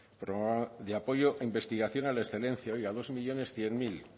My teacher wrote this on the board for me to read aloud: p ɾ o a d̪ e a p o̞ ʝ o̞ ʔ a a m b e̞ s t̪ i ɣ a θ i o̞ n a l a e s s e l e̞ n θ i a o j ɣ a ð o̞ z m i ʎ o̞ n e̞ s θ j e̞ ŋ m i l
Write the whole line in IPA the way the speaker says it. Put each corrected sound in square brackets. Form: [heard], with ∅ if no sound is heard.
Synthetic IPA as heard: p ɾ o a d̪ e a p o̞ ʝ o̞ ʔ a [i] m b e̞ s t̪ i ɣ a θ [j] o̞ n a l a e s [θ] e l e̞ n θ [j] a o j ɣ a ð o̞ z m i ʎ o̞ n e̞ s θ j e̞ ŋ m i l